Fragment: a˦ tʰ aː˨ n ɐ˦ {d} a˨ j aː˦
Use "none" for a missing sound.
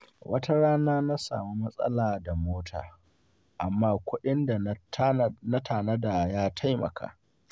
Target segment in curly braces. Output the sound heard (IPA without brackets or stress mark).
d